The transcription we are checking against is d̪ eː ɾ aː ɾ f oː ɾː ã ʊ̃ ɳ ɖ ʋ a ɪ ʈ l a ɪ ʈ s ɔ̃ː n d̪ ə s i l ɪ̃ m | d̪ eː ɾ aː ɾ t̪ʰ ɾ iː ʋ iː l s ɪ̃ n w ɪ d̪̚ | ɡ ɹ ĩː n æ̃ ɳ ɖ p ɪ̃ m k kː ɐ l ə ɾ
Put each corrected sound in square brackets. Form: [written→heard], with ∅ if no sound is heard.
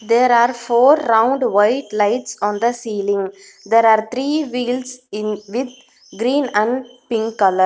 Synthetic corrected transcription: d̪ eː ɾ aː ɾ f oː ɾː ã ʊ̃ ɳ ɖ ʋ a ɪ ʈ l a ɪ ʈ s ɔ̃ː n d̪ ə s [i→iː] l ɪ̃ [m→ŋ] | d̪ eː ɾ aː ɾ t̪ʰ ɾ iː ʋ iː l s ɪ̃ n [w→ʋ] ɪ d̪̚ | ɡ [ɹ→ɾ] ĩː n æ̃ ɳ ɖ p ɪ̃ [m→ŋ] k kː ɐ l ə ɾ